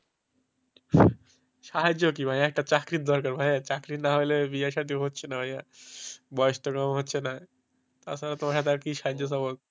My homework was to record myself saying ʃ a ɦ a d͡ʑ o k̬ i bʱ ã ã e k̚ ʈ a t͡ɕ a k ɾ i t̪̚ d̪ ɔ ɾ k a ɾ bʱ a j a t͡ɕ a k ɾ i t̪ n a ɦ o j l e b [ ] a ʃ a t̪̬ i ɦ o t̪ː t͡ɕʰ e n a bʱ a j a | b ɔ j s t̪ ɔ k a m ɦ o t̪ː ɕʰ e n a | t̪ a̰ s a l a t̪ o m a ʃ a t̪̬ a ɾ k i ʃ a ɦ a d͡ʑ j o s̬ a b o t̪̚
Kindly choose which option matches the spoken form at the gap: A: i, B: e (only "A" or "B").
A